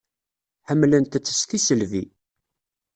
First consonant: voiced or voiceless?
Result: voiceless